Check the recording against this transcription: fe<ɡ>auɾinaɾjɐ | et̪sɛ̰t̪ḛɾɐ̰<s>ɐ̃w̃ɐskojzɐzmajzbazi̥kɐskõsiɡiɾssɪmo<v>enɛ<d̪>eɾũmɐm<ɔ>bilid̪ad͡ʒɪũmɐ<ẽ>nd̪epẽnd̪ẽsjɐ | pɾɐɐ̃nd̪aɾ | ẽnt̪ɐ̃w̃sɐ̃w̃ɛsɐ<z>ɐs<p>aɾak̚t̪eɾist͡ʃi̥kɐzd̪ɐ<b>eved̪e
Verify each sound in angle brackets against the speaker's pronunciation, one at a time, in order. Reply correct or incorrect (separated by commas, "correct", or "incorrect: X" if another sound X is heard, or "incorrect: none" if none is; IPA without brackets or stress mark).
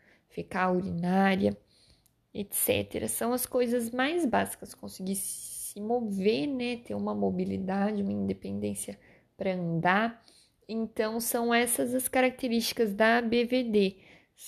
incorrect: k, correct, correct, incorrect: t̪, incorrect: o, incorrect: ĩ, correct, incorrect: k, correct